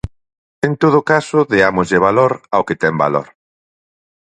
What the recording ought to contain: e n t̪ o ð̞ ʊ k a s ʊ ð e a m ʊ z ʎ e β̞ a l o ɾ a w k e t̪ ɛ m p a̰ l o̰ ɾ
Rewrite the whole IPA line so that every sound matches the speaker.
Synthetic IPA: e n t̪ o ð̞ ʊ k a s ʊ ð e a m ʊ z ʎ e β̞ a l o ɾ a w k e t̪ ɛ m b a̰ l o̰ ɾ

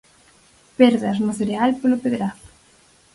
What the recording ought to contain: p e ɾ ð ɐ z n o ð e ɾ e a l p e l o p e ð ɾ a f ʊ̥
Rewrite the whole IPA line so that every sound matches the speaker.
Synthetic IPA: p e ɾ ð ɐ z n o θ e ɾ e a l p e l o p e ð ɾ a θ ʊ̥

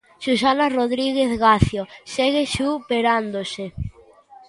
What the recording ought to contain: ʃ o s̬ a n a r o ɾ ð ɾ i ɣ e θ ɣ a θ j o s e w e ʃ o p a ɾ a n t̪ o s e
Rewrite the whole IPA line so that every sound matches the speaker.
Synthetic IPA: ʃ u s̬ a n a r o ð ɾ i ɣ e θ ɣ a θ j o s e ɣ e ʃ u p e ɾ a n d̪ o s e

